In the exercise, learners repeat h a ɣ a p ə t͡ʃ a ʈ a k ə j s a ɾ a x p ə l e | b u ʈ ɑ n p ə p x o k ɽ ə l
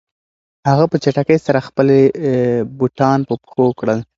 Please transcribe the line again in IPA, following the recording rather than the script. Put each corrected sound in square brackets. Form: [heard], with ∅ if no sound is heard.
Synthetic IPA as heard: h a ɣ a p ə t͡ʃ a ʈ a k ə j s a ɾ a x p ə l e | b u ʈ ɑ n p ə p x o k ɽ ə l